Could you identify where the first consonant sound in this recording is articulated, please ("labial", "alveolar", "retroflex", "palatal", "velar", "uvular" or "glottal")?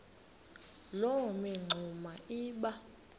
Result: alveolar